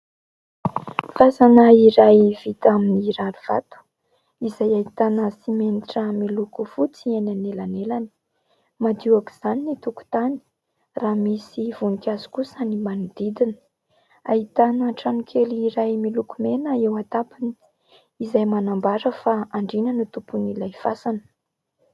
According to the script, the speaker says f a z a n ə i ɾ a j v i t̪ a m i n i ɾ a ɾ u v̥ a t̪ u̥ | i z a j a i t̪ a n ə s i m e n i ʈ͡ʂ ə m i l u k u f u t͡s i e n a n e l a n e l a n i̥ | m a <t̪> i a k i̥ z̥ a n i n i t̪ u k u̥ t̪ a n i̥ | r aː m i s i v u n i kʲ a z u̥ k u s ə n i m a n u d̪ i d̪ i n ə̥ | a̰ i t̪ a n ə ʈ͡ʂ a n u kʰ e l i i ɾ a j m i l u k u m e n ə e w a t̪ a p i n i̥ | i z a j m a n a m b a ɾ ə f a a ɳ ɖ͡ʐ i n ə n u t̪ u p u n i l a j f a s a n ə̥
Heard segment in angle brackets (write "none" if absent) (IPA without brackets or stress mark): d̪